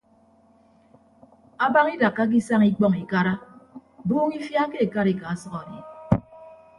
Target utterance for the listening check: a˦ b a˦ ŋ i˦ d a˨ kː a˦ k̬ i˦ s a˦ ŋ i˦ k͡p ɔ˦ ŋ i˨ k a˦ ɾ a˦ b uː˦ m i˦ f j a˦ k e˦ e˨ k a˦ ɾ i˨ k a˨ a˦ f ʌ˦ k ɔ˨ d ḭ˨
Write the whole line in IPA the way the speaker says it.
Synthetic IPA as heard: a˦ b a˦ ŋ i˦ d a˨ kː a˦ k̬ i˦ s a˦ ŋ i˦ k͡p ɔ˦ ŋ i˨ k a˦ ɾ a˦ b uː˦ ŋ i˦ f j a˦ k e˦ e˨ k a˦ ɾ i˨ k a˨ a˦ s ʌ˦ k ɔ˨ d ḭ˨